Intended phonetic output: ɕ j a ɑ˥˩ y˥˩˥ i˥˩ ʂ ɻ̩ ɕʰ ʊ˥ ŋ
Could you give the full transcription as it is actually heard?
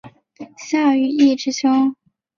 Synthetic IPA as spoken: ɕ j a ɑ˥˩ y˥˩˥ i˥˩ ʈ͡ʂ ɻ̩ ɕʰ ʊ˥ ŋ